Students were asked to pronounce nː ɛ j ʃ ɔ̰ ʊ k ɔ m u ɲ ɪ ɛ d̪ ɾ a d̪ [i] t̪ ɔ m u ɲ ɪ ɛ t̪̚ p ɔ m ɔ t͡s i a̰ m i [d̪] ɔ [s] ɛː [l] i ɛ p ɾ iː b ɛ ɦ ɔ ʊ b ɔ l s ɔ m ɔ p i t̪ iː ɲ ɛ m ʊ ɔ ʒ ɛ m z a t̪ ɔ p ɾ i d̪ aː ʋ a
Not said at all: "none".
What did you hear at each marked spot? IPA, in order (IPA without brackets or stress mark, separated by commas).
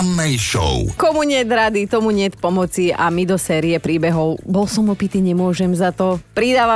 i, d̪, s, ɾ